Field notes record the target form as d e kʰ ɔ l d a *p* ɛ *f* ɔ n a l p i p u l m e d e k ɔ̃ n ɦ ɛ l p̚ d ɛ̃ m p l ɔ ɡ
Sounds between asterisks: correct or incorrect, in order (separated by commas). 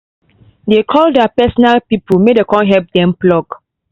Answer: correct, incorrect